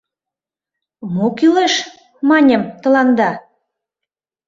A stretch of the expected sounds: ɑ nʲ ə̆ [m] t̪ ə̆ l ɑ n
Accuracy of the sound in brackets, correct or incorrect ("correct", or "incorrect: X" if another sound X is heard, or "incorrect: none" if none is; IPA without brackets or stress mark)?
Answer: correct